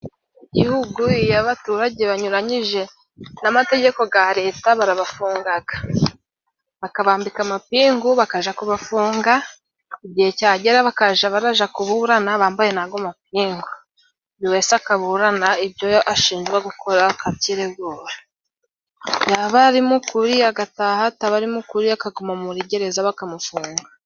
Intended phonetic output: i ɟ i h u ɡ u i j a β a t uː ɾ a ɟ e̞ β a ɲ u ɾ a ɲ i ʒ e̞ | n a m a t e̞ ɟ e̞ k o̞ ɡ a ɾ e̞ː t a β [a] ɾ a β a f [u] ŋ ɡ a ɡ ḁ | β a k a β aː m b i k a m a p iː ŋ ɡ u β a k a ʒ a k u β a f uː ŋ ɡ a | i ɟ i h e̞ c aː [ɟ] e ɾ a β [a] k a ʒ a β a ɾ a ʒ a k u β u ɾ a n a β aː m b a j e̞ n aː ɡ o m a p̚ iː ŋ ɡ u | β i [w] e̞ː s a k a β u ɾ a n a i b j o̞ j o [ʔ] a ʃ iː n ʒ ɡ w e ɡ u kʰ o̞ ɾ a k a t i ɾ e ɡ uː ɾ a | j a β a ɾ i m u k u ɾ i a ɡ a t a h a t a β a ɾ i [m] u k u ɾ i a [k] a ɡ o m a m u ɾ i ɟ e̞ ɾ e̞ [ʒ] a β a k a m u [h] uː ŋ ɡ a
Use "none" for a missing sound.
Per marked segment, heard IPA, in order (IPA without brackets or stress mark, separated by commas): a, uː, ɟ, a, w, ʔ, m, k, z, f